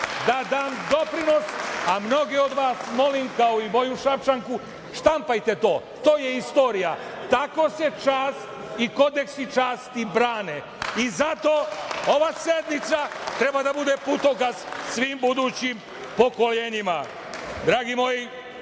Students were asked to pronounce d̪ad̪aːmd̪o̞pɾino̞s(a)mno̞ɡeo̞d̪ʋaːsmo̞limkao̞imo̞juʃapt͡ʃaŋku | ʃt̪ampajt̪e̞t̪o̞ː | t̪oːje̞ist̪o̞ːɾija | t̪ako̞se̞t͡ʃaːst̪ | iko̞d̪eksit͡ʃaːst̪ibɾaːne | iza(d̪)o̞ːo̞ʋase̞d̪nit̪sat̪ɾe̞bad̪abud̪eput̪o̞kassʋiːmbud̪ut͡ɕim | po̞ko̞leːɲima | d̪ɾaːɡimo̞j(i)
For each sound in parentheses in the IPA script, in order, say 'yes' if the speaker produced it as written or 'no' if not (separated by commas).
yes, no, yes